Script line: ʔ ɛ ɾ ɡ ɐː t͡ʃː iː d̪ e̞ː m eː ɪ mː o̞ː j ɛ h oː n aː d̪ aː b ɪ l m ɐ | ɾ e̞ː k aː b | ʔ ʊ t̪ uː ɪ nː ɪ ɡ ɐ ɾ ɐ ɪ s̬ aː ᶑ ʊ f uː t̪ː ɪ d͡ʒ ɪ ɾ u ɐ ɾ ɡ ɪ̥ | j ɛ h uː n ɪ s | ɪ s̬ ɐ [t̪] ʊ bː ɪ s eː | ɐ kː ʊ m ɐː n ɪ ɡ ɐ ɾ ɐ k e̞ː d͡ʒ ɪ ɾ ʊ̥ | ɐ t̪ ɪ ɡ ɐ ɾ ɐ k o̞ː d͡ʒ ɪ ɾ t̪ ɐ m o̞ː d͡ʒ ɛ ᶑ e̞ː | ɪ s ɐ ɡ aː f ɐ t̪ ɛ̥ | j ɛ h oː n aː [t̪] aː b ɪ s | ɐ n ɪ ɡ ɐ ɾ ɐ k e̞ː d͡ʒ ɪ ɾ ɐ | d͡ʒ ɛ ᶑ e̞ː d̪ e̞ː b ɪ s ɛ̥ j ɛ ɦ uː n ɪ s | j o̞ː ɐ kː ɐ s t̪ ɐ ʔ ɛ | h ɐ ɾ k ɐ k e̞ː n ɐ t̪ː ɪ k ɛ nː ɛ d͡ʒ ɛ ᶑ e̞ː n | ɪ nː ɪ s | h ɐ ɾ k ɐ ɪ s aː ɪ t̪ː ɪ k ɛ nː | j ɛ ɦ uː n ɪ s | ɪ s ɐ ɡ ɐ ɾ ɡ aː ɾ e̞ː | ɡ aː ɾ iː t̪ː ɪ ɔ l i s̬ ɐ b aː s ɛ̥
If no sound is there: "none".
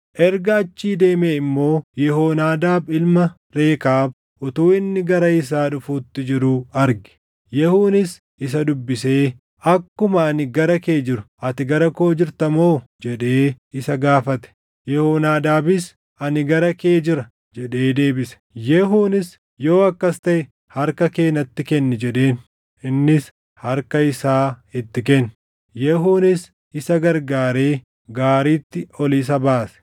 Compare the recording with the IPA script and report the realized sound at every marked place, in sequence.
d̪, d̪

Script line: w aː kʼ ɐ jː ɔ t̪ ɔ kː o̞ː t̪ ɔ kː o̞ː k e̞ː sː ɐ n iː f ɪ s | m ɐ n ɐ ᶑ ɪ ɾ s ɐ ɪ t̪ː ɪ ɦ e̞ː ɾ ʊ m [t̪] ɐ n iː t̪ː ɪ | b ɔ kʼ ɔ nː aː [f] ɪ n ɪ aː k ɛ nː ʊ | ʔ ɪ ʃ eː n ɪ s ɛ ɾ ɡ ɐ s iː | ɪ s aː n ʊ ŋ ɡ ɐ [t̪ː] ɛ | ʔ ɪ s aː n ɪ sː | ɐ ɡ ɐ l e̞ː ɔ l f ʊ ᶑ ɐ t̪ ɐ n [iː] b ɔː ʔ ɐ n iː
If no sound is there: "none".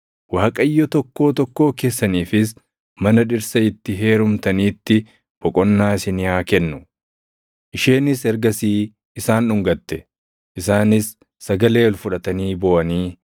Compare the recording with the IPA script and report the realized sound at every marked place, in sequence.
t̪, s, t̪ː, iː

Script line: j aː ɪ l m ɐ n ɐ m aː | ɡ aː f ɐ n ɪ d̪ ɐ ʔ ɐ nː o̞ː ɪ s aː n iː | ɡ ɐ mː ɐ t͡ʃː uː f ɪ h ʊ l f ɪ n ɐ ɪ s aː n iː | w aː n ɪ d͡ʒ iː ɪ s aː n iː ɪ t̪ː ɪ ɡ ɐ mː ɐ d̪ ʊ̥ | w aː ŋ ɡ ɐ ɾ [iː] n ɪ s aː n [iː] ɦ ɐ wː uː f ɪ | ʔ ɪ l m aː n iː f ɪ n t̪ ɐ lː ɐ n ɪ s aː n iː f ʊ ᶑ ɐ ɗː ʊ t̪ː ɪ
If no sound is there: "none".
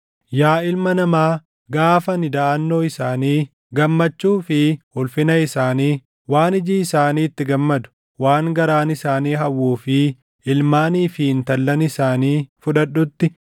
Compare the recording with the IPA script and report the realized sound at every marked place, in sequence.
aː, iː

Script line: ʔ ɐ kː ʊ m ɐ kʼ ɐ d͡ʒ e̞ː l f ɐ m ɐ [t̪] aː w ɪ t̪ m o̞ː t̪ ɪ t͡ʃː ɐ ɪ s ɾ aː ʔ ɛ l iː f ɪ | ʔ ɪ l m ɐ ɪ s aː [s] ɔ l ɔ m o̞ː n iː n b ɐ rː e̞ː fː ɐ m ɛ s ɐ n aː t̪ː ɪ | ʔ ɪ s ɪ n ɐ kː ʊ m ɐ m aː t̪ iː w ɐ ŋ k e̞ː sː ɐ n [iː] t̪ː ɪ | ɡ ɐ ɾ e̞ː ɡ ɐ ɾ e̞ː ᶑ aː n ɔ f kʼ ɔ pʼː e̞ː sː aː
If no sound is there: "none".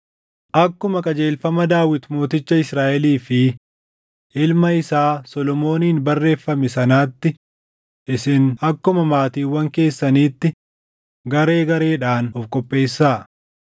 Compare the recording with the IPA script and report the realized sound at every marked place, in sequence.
d̪, s, iː

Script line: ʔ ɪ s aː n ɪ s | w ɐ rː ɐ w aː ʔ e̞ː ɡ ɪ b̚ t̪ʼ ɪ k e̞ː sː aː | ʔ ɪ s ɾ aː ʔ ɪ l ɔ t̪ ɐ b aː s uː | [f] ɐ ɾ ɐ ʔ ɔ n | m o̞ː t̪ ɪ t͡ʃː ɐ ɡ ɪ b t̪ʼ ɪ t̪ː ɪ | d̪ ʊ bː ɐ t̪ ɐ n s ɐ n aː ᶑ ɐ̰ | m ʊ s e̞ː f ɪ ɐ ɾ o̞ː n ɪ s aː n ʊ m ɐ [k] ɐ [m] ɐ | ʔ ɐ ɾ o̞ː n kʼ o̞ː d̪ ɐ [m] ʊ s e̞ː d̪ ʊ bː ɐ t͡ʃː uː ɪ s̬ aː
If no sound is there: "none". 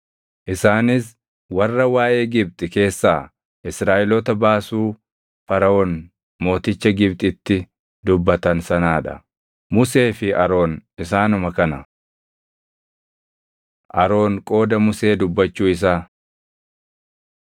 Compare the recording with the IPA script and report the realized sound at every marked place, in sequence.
f, k, n, m

